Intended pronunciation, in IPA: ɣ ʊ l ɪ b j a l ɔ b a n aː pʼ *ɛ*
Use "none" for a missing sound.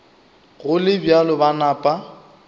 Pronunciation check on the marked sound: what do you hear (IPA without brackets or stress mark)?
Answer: a